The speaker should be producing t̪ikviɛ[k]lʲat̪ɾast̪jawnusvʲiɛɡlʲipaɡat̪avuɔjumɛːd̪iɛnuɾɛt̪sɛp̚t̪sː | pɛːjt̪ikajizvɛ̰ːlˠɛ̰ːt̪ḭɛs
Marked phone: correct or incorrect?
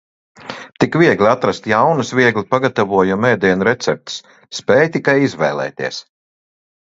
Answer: incorrect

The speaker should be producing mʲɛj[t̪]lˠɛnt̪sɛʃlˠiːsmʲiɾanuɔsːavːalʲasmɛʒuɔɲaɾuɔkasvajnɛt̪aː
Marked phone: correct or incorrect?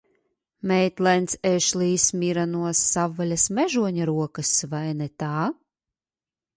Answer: correct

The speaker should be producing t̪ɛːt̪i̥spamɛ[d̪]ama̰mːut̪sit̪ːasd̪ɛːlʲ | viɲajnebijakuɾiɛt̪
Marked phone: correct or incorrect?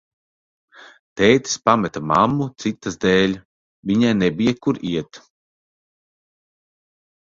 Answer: incorrect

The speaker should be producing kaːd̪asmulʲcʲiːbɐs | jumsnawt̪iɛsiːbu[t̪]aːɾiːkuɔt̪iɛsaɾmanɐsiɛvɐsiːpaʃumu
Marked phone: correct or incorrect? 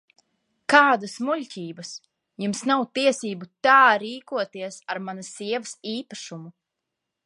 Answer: correct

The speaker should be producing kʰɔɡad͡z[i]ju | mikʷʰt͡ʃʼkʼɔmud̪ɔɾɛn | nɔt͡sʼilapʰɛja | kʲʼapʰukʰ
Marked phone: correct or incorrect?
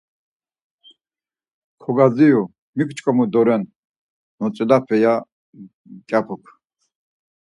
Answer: correct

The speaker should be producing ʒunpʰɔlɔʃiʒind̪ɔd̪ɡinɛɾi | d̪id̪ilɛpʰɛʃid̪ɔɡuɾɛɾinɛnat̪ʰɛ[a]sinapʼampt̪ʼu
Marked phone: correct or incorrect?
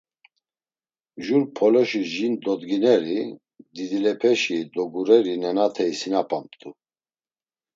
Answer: incorrect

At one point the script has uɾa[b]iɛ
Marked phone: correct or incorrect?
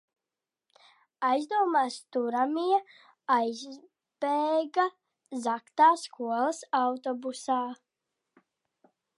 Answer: incorrect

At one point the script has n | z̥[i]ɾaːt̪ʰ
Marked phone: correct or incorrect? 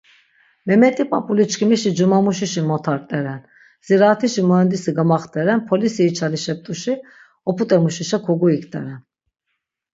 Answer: correct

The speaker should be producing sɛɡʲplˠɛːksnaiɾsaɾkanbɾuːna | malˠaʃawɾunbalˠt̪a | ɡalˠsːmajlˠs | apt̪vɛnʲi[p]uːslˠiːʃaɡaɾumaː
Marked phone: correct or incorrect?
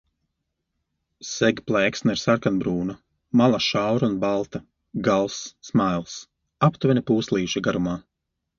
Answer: correct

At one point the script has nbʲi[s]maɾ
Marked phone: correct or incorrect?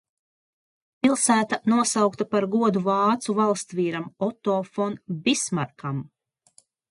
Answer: correct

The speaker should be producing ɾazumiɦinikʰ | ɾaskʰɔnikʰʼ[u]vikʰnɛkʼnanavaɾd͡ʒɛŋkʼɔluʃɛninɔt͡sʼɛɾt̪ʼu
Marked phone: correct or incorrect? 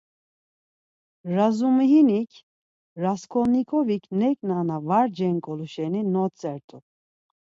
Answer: incorrect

